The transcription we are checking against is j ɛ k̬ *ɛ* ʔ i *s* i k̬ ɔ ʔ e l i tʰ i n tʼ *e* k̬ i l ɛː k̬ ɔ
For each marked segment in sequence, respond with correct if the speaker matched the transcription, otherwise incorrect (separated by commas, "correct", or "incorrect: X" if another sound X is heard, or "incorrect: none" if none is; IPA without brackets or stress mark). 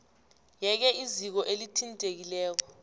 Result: correct, incorrect: z, correct